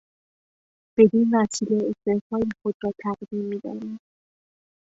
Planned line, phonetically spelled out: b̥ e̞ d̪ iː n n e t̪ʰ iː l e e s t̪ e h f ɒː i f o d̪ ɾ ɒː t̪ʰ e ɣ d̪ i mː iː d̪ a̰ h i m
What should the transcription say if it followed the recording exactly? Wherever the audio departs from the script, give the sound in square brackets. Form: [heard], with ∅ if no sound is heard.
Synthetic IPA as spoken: b̥ e̞ d̪ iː n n [æ] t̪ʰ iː l e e s t̪ e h f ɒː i [x] o d̪ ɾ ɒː t̪ʰ [æ] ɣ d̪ i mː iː d̪ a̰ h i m